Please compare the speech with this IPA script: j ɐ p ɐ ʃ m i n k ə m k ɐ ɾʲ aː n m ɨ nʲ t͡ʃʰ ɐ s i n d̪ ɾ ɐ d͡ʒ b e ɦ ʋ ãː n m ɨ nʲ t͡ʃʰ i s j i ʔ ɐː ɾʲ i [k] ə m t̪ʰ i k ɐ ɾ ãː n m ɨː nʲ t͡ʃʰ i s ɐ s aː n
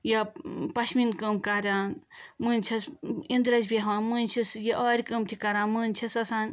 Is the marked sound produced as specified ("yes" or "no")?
yes